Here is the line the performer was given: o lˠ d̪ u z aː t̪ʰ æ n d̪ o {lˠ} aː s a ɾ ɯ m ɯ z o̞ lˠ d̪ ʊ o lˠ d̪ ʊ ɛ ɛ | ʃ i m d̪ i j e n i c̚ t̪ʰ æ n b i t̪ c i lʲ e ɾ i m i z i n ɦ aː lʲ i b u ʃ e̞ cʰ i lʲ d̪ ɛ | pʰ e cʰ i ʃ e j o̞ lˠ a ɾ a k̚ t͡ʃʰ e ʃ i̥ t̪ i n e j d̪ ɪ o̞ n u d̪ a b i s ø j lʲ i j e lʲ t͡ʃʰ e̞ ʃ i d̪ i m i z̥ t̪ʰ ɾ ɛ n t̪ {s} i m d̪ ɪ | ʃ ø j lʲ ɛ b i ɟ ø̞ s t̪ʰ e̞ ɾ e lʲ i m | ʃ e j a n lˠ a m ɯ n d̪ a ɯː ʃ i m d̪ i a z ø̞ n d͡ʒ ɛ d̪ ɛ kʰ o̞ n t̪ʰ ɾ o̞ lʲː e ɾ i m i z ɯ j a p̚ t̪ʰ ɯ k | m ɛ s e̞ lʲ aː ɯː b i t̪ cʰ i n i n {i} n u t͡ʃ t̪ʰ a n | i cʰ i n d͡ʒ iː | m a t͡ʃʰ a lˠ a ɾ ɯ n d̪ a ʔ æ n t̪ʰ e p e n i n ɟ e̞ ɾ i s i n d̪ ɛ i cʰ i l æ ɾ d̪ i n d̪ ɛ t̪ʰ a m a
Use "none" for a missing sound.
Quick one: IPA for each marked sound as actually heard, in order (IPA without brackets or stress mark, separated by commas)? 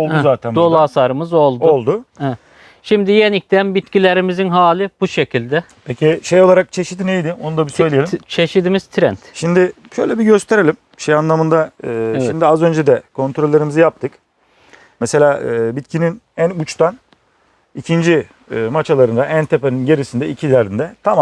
lˠ, ʃ, æ